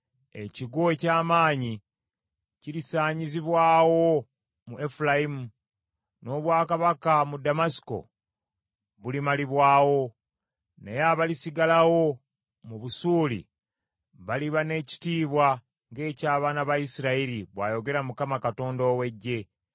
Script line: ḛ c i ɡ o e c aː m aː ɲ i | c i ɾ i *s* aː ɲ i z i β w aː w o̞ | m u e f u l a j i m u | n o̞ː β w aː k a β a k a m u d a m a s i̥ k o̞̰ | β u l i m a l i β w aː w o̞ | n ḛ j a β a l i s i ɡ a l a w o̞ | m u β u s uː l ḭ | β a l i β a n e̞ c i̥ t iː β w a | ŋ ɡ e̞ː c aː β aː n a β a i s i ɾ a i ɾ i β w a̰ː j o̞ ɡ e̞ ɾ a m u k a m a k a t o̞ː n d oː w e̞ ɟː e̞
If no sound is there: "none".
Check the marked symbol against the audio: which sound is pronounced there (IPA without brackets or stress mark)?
s